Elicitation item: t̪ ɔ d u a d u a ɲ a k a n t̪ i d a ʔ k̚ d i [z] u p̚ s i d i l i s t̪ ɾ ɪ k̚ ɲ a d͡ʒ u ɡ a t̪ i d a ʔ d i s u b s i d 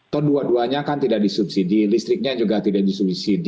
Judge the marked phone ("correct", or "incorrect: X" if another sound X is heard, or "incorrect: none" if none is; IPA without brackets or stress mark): incorrect: s